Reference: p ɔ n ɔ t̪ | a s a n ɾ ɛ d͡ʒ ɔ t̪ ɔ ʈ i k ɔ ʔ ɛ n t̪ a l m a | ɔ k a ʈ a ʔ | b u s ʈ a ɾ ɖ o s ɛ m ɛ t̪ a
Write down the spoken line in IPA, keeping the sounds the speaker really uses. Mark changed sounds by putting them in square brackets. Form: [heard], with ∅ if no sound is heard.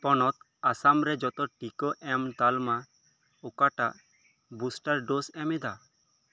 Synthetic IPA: p ɔ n ɔ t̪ | a s a [m] ɾ ɛ d͡ʒ ɔ t̪ ɔ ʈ i k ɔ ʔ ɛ [m] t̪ a l m a | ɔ k a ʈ a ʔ | b u s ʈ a ɾ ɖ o s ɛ m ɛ [d̪] a